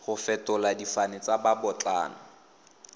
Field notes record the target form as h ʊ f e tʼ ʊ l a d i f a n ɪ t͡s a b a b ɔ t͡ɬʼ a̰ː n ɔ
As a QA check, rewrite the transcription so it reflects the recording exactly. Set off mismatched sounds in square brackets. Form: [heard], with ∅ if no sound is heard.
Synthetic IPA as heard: [χ] ʊ f [ɛ] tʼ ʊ l a d i f a n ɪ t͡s a b a b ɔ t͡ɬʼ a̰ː n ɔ